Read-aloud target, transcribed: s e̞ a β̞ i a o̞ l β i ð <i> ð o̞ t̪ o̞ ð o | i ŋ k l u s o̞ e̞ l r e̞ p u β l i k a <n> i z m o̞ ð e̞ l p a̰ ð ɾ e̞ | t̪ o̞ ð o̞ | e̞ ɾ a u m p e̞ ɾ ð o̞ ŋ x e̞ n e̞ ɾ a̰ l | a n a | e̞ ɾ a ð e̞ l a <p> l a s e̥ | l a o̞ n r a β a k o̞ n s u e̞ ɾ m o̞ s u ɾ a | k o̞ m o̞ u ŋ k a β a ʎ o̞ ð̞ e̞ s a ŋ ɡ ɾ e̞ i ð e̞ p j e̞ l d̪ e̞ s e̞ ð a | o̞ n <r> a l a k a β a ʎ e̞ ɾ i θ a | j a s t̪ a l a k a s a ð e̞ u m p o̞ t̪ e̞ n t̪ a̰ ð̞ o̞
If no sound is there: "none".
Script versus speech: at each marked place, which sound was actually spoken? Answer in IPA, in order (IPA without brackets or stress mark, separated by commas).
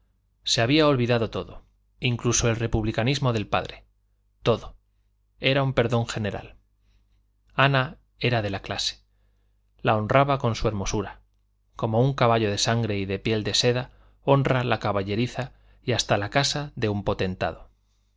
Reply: a, n, k, r